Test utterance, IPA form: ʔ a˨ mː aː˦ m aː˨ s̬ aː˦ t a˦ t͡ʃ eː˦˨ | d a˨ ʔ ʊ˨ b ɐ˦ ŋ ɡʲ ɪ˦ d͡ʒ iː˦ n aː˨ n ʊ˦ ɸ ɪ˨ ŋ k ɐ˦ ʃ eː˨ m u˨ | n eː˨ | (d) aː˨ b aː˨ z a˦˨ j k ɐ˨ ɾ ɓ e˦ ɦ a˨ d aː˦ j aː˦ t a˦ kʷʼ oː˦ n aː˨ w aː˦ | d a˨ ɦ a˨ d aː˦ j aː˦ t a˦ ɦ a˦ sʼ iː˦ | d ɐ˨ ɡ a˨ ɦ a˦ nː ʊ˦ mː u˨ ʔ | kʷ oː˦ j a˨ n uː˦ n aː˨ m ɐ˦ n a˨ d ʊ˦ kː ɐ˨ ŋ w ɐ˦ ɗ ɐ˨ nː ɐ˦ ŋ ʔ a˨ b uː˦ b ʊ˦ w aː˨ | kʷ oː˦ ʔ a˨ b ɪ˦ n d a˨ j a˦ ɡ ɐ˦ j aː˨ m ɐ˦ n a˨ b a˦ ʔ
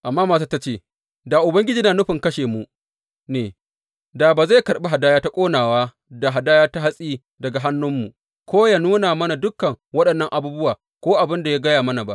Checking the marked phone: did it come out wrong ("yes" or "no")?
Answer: no